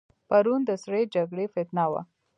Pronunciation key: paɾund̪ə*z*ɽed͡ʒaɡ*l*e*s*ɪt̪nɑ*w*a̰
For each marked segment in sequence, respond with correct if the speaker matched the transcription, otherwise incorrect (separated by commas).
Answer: incorrect, incorrect, incorrect, correct